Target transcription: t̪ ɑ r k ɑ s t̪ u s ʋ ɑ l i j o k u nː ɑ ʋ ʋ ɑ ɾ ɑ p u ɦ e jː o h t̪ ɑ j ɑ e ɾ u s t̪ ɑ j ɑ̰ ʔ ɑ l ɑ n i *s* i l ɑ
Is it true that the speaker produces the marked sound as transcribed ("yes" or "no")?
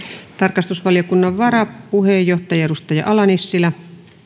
no